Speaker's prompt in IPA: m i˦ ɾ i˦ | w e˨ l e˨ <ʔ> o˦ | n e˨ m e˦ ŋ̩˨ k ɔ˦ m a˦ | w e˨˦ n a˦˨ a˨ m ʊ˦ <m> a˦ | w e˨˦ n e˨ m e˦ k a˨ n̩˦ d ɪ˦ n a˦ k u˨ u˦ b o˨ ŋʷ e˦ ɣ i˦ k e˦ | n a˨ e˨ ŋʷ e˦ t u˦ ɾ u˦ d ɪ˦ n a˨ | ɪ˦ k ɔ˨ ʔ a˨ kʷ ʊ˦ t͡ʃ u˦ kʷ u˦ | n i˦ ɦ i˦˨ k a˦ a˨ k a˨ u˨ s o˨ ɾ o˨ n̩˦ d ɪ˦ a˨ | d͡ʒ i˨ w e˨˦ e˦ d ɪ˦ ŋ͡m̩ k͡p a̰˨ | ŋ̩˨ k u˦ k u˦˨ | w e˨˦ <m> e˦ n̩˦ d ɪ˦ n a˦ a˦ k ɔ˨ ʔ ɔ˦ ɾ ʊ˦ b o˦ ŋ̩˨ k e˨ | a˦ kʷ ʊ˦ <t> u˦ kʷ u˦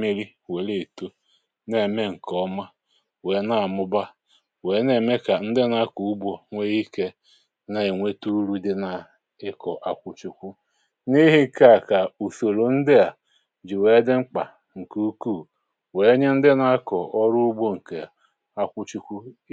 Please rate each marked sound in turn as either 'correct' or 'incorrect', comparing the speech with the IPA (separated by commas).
incorrect, incorrect, incorrect, incorrect